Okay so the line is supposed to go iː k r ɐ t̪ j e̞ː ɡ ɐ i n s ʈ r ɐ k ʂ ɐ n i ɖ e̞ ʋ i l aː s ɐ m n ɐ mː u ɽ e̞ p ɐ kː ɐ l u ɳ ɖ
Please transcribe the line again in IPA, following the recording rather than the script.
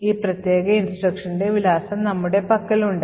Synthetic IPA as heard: iː p r ɐ t̪ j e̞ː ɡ ɐ i n s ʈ r ɐ k ʂ ɐ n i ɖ e̞ ʋ i l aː s ɐ m n ɐ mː u ɽ e̞ p ɐ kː ɐ l u ɳ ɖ

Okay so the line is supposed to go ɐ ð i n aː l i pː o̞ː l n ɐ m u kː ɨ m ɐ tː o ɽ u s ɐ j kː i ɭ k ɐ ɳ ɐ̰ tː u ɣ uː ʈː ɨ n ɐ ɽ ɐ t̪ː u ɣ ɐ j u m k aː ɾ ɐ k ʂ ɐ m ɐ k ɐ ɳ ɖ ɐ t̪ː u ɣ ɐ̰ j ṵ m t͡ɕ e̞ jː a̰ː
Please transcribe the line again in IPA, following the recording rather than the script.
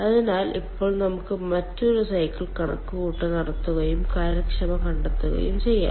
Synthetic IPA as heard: ɐ ð i n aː l i pː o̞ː ɭ n ɐ m u kː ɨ m ɐ tː o ɾ u s ɐ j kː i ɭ k ɐ ɳ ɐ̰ kː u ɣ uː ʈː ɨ n ɐ ɽ ɐ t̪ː u ɣ ɐ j u m k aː ɾ ɐ k ʂ ɐ m ɐ k ɐ ɳ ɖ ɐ t̪ː u ɣ ɐ̰ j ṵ m t͡ɕ e̞ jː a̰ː

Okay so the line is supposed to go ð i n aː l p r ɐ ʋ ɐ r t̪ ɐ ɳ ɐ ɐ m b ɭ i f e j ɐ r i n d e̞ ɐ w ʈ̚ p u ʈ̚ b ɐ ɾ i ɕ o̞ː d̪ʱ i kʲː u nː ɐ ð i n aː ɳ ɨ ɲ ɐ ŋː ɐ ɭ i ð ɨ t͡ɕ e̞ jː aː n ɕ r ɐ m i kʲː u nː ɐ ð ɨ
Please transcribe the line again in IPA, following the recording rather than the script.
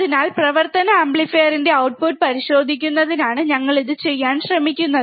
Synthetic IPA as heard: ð i n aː l p r ɐ ʋ ɐ r t̪ ɐ n ɐ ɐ m b ɭ i f e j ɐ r i n d e̞ ɐ w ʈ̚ p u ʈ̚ p ɐ ɾ i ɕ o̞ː d̪ʱ i kʲː u nː ɐ ð i n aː ɳ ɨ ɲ ɐ ŋː ɐ ɭ i ð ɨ t͡ɕ e̞ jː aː n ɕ r ɐ m i kʲː u nː ɐ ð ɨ

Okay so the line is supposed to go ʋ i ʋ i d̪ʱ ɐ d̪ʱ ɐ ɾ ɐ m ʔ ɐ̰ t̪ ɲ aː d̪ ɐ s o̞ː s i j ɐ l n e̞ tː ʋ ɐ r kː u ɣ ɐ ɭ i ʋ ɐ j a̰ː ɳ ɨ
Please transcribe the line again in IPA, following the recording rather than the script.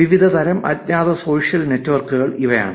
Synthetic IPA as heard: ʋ i ʋ i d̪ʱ ɐ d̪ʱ ɐ ɾ ɐ m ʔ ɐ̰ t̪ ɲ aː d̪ ɐ s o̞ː ʂ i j ɐ l n e̞ tː ʋ ɐ r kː u ɣ ɐ ɭ i ʋ ɐ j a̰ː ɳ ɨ

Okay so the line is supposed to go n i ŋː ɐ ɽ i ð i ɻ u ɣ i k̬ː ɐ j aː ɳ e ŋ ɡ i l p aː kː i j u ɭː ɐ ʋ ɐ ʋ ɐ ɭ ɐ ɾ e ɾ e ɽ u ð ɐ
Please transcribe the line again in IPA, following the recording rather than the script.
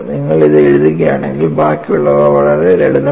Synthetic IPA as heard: n i ŋː ɐ ɭ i ð e ɻ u ð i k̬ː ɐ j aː ɳ e ŋ ɡ i l b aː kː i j u ɭː ɐ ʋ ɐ ʋ ɐ ɭ ɐ ɾ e ɾ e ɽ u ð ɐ

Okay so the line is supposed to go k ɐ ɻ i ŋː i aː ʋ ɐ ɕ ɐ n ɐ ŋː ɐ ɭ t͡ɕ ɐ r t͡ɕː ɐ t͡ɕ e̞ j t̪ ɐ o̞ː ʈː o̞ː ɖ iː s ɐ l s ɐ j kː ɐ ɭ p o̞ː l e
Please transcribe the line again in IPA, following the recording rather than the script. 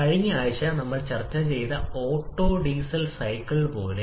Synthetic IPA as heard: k ɐ ɻ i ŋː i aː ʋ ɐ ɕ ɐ n ɐ mː ɐ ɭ t͡ɕ ɐ r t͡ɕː ɐ t͡ɕ e̞ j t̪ ɐ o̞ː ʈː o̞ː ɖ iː s ɐ l s ɐ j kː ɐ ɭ p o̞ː l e

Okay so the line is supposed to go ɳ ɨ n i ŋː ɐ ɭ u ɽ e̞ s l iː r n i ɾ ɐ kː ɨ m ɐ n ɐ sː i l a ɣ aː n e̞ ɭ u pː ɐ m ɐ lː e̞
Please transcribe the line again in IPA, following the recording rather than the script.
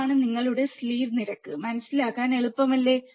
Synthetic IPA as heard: ɳ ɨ n i ŋː ɐ ɭ u ɽ e̞ s l iː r n i ɾ ɐ kː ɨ m ɐ n ɐ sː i l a ɣ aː n e̞ ɭ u pː ɐ m ɐ lː e̞

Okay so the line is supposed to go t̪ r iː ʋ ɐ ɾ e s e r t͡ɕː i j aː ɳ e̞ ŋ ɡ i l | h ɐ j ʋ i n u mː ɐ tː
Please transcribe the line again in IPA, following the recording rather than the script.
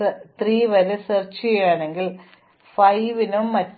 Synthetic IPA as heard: t̪ r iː ʋ ɐ ɾ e s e r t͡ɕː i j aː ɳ e̞ ŋ ɡ i l | f ɐ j ʋ i n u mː ɐ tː

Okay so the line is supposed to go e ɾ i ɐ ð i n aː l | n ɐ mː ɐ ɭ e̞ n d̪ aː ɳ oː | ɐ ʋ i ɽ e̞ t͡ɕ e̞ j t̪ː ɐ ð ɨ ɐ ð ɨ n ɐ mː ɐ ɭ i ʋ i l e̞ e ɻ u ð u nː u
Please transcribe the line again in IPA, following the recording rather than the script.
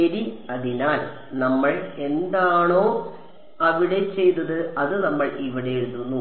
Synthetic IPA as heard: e ɾ i ɐ ð i n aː l | n ɐ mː ɐ ɭ e̞ n d̪ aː ɳ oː | ɐ ʋ i ɽ e̞ t͡ɕ e̞ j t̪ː ɐ ð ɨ ɐ ð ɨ n ɐ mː ɐ ɭ i ʋ i ɽ e̞ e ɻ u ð u nː u

